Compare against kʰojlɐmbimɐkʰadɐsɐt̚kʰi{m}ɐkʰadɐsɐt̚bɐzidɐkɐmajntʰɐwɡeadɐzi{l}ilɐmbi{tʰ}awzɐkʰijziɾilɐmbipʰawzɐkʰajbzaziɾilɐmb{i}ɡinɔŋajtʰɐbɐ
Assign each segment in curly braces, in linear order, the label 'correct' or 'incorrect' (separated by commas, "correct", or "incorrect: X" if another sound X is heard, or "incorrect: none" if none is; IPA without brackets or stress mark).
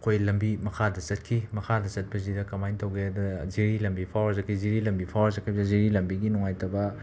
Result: correct, incorrect: ɾ, incorrect: pʰ, correct